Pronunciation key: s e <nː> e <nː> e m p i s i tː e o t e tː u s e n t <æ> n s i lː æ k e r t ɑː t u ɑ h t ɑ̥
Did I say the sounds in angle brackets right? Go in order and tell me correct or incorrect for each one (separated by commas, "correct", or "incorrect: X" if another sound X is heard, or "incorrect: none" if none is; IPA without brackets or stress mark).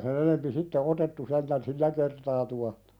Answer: incorrect: n, incorrect: n, correct